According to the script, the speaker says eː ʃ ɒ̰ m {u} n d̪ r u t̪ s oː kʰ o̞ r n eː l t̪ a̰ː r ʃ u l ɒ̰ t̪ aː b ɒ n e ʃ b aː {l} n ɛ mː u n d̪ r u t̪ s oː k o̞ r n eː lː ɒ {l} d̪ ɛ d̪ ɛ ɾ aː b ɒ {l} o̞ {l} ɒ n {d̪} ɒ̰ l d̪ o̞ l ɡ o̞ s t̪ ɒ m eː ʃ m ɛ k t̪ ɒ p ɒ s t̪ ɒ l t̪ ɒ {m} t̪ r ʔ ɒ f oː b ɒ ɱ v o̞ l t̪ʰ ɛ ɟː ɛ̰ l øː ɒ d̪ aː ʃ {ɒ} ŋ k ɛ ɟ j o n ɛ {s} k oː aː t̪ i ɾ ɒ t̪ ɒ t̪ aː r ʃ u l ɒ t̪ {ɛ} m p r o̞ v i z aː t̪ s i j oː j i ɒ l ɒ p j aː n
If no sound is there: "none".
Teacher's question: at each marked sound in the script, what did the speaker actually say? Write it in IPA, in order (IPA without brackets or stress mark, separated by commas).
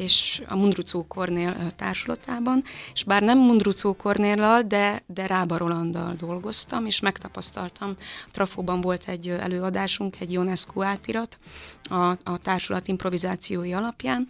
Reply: u, r, l, ɾ, l, d̪, m, u, s, i